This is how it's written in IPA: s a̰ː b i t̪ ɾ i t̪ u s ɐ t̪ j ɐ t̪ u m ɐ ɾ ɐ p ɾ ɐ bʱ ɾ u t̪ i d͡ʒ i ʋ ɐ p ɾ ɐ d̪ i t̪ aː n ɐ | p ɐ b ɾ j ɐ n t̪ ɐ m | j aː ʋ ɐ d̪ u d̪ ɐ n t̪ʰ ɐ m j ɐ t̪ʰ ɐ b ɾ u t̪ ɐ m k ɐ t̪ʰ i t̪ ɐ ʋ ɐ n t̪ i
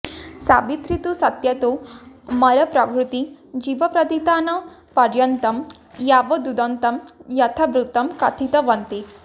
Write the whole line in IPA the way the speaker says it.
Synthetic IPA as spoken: s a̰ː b i t̪ ɾ i t̪ u s ɐ t̪ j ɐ t̪ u m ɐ ɾ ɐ p ɾ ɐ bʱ ɾ u t̪ i d͡ʒ i ʋ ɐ p ɾ ɐ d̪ i t̪ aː n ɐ | p ɐ ɾ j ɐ n t̪ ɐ m | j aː ʋ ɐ d̪ u d̪ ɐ n t̪ ɐ m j ɐ t̪ʰ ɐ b ɾ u t̪ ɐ m k ɐ t̪ʰ i t̪ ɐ ʋ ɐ n t̪ i